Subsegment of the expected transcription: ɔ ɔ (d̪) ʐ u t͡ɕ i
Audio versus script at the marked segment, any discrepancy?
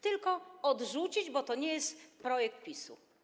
no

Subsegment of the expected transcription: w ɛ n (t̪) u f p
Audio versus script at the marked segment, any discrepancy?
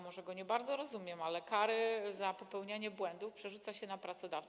yes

